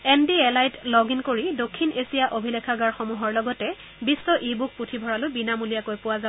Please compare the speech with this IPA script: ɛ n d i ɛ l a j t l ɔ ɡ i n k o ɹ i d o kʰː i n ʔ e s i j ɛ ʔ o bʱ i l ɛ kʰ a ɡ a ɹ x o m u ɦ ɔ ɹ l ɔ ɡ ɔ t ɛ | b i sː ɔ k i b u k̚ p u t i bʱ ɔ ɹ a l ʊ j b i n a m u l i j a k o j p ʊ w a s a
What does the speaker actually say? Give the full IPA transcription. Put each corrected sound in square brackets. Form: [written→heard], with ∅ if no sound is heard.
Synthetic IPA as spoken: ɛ n d i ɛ l a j t l ɔ ɡ i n k o ɹ i d o kʰː i n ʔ e s i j [ɛ→a] ʔ o bʱ i l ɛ kʰ a ɡ a ɹ x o m u ɦ ɔ ɹ l ɔ ɡ ɔ t ɛ | b i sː ɔ [k→ʔ] i b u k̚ p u [t→tʰ] i bʱ ɔ ɹ a l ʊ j b i n a m u l i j a k o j p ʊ w a [s→z] a

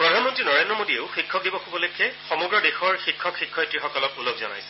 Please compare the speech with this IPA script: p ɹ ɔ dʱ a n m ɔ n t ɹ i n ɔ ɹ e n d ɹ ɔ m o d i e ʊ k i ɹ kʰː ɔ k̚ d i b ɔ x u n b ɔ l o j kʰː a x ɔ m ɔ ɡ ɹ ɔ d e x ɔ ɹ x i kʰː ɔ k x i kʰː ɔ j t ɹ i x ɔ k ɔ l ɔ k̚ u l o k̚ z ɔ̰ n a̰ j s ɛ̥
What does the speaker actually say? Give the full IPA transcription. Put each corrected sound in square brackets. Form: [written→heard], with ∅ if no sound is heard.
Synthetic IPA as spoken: p ɹ ɔ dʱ a n m ɔ n t ɹ i n ɔ ɹ e n d ɹ ɔ m o d i e ʊ [k→x] i [ɹ→∅] kʰː ɔ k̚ d i b ɔ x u [n→∅] b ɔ l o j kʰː [a→ɛ] x ɔ m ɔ ɡ ɹ ɔ d e x ɔ ɹ x i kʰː ɔ k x i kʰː ɔ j t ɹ i x ɔ k ɔ l ɔ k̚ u l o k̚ z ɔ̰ n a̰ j s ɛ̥

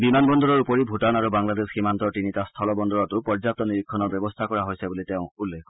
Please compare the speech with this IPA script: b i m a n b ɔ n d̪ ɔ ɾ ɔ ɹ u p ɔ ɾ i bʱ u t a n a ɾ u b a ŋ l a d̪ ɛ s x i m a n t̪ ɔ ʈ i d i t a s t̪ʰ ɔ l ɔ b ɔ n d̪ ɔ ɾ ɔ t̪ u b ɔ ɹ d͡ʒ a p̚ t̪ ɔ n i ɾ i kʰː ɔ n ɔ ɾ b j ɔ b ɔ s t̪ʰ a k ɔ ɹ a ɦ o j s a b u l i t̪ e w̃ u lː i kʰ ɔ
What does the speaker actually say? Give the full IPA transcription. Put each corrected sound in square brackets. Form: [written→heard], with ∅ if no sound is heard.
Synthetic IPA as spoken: b i m a n b ɔ n d̪ ɔ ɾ ɔ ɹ u p ɔ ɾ i bʱ u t a n a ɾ u b a ŋ l a d̪ [ɛ→e] s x i m a n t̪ ɔ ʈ i [d→n] i t a s t̪ʰ ɔ l ɔ b ɔ n d̪ ɔ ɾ ɔ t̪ u [b→p] ɔ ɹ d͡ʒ a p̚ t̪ ɔ n i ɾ i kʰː ɔ n ɔ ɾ b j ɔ b ɔ s t̪ʰ a k ɔ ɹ a ɦ o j s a b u l i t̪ e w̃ u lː [i→e] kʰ ɔ

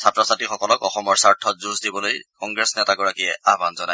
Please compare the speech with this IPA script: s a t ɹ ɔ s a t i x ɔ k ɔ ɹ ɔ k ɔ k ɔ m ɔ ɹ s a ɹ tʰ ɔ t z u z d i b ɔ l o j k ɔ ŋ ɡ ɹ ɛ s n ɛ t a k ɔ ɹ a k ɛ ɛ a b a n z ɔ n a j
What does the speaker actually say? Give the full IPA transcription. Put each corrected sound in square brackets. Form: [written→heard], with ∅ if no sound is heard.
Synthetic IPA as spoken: s a t ɹ ɔ s a t i x ɔ k ɔ [ɹ→l] ɔ k ɔ [k→x] ɔ m ɔ ɹ s a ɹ tʰ ɔ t z u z d i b ɔ l o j k ɔ ŋ ɡ ɹ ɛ s n ɛ t a [k→ɡ] ɔ ɹ a k [ɛ→i] ɛ a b a n z ɔ n a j

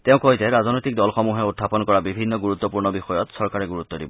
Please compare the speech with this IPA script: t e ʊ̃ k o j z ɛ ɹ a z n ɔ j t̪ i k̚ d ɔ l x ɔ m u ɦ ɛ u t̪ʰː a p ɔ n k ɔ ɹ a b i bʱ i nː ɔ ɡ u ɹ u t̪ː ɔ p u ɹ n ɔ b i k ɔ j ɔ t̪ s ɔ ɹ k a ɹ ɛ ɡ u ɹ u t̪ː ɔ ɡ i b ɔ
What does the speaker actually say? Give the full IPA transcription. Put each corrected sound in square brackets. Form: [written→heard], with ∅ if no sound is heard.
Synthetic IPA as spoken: t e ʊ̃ k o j z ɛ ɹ a z n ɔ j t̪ i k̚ d ɔ l x ɔ m u ɦ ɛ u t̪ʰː a p ɔ n k ɔ ɹ a b i bʱ i nː ɔ ɡ u ɹ u t̪ː ɔ p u ɹ n ɔ b i [k→x] ɔ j ɔ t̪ s ɔ ɹ k a ɹ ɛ ɡ u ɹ u t̪ː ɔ [ɡ→d] i b ɔ

